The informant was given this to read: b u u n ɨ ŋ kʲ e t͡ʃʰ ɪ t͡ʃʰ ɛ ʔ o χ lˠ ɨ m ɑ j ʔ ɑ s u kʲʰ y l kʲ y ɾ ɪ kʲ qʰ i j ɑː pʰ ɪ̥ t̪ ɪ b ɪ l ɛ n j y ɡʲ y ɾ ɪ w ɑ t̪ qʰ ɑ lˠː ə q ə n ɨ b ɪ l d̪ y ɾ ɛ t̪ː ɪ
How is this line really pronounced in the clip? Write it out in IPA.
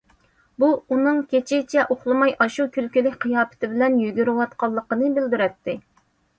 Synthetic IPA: b u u n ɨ ŋ kʲ e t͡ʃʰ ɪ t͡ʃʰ ɛ ʔ o χ lˠ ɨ m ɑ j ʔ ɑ ʃ u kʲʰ y l kʲ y l ɪ kʲ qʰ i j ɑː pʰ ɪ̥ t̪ ɪ b ɪ l ɛ n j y ɡʲ y ɾ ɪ w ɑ t̪ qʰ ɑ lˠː ə q ə n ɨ b ɪ l d̪ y ɾ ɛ t̪ː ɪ